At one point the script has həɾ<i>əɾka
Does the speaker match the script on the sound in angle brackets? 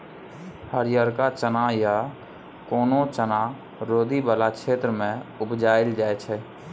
no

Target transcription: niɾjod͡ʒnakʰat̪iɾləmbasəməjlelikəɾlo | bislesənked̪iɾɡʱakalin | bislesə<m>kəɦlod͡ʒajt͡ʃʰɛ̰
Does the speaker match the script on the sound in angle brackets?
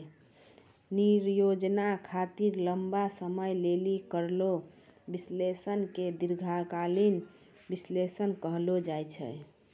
no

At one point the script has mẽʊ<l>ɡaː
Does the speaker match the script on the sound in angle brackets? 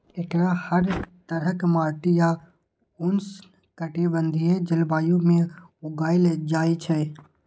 no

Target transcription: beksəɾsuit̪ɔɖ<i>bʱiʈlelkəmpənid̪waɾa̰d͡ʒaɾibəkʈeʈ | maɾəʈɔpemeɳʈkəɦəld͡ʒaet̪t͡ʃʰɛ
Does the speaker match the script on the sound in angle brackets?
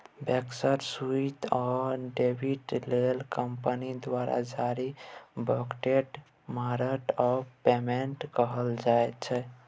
no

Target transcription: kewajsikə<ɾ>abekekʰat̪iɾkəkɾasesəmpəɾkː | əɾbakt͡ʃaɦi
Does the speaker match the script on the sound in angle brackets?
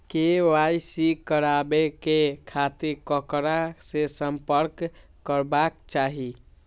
yes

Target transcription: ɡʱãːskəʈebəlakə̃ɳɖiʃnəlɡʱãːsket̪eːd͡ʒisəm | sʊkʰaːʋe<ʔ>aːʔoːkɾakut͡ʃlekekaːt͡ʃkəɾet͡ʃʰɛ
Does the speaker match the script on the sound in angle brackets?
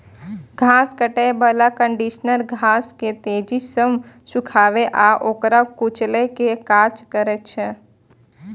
yes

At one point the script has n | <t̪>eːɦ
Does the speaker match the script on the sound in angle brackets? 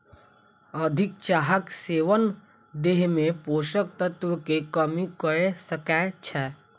no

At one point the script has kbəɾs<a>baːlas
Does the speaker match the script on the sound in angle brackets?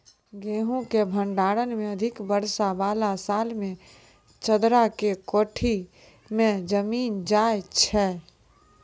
yes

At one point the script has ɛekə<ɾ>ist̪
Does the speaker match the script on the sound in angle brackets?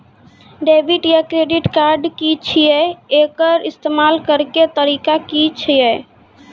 yes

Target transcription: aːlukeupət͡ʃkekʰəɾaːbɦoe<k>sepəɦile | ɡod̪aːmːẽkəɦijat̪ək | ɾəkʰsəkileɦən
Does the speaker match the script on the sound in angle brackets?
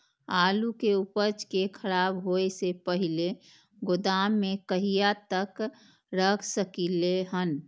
no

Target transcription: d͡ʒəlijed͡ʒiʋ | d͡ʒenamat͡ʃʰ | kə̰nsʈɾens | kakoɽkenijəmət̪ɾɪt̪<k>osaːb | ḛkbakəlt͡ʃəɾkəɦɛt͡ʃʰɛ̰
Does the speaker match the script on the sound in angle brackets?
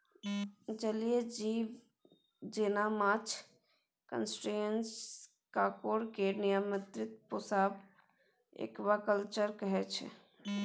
no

